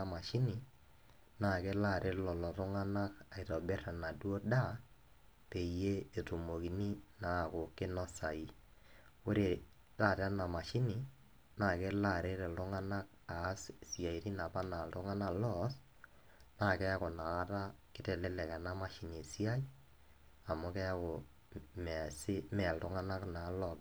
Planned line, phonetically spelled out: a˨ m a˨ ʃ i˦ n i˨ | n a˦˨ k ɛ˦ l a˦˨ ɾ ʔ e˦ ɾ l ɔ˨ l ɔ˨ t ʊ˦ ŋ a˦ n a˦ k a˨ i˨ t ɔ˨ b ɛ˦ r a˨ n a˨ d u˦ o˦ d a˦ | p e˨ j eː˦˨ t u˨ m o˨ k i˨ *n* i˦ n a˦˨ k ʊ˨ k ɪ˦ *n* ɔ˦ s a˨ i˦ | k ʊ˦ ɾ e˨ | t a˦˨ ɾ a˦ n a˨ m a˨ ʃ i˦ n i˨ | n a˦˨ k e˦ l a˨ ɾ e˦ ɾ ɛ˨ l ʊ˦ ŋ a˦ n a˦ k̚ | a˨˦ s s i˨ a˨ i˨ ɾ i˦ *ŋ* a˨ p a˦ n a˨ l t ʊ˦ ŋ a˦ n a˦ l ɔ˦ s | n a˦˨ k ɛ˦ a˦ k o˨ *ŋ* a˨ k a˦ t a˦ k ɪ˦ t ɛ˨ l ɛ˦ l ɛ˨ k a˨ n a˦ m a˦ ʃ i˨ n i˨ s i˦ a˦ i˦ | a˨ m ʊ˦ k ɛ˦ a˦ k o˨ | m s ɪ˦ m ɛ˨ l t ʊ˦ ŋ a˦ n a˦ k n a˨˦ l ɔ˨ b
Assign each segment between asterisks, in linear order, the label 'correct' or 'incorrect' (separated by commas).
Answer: correct, correct, incorrect, incorrect